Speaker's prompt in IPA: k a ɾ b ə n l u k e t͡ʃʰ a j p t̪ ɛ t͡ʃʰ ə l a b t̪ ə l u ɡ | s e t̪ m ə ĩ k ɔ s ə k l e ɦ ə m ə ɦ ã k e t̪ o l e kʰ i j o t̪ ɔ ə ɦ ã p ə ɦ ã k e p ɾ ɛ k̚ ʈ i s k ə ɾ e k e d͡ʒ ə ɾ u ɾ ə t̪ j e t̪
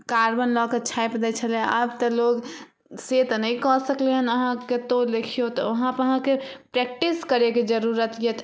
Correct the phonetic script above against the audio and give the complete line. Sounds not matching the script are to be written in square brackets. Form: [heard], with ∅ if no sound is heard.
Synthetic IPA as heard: k a ɾ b ə n l [ɔ] k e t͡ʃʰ a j p [d̪] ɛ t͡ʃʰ ə l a b t̪ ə l [o] ɡ | s e t̪ [n] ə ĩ k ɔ s ə k l e ɦ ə [n] ə ɦ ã k e t̪ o l e kʰ i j o t̪ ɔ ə ɦ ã p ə ɦ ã k e p ɾ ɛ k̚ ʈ i s k ə ɾ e k e d͡ʒ ə ɾ u ɾ ə t̪ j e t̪